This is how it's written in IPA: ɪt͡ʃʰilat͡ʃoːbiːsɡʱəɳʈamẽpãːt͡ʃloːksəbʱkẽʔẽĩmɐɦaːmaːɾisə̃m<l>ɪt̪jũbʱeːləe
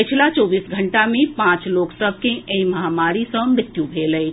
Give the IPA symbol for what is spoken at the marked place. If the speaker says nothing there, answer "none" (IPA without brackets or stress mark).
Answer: ɾ